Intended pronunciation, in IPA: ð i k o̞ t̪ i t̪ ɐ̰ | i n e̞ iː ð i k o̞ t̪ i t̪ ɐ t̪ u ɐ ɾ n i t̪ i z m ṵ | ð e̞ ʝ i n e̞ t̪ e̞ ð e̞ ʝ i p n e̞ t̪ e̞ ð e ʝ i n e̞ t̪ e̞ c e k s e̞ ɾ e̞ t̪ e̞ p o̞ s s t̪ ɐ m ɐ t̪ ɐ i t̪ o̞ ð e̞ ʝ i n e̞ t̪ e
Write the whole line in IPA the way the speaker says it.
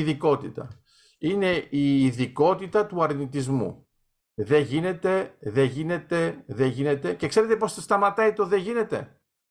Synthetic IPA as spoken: ð i k o̞ t̪ i t̪ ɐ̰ | i n e̞ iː ð i k o̞ t̪ i t̪ ɐ t̪ u ɐ ɾ n i t̪ i z m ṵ | ð e̞ ʝ i n e̞ t̪ e̞ ð e̞ ʝ i n e̞ t̪ e̞ ð e ʝ i n e̞ t̪ e̞ c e k s e̞ ɾ e̞ t̪ e̞ p o̞ s s t̪ ɐ m ɐ t̪ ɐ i t̪ o̞ ð e̞ ʝ i n e̞ t̪ e